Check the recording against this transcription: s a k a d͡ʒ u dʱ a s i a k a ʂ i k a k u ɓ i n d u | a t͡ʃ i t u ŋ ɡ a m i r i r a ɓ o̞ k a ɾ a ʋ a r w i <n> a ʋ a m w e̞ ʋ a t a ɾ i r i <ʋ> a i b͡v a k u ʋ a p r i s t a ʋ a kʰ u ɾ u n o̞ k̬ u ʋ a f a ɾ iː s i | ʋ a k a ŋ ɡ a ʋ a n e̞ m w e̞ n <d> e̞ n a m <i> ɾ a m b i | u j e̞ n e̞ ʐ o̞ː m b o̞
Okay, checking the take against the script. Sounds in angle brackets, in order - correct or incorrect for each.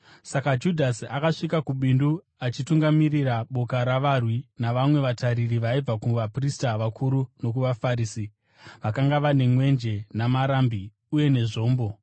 correct, correct, incorrect, incorrect

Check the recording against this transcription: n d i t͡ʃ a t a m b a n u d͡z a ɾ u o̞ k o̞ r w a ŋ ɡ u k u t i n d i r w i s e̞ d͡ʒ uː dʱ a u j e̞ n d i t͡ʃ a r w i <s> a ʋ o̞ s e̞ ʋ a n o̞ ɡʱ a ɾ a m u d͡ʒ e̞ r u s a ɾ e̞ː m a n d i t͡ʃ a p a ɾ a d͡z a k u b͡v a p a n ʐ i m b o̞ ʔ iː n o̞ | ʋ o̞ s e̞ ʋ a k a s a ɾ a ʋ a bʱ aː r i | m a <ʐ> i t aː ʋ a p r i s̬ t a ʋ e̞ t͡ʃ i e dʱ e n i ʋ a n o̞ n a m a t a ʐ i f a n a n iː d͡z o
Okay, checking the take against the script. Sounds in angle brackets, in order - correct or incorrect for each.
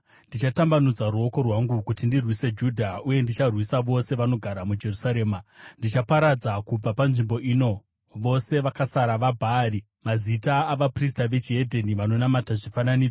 correct, incorrect

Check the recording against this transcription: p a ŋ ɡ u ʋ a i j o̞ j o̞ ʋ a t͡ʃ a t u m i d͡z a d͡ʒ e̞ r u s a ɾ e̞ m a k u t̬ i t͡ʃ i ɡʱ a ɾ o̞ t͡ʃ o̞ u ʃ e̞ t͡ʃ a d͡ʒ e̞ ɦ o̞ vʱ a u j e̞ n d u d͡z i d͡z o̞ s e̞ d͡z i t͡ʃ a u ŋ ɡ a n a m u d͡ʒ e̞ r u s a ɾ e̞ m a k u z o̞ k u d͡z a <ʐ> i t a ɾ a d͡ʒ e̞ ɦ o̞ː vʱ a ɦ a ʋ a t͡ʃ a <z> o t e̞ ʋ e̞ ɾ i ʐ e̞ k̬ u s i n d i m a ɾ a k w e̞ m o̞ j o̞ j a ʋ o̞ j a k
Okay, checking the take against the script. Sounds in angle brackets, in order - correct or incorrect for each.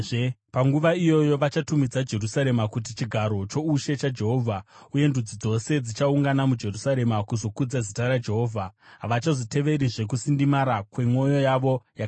incorrect, correct

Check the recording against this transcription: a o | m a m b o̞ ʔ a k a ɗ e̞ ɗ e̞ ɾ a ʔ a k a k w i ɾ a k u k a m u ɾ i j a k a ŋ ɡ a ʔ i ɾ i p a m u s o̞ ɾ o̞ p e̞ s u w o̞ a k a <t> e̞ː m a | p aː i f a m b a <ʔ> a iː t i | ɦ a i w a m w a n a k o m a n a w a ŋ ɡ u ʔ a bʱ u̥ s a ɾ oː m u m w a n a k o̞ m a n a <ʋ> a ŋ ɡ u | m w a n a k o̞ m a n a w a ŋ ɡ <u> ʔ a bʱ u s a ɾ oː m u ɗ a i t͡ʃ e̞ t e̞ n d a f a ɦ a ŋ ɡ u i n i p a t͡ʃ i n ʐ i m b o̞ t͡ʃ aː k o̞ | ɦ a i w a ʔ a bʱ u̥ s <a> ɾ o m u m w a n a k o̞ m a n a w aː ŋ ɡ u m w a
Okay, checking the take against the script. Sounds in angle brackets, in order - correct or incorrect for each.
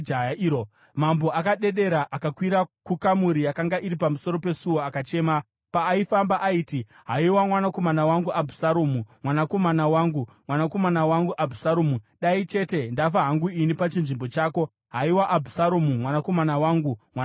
incorrect, correct, incorrect, correct, correct

